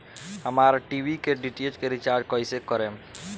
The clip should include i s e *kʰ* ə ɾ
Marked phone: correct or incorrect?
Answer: incorrect: k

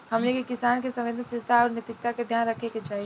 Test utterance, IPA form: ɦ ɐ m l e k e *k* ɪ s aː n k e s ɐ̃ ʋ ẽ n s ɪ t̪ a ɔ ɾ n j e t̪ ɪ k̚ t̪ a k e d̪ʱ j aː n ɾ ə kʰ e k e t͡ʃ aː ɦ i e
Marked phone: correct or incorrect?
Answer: correct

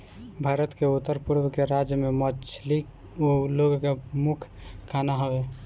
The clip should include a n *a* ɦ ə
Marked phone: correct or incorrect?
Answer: correct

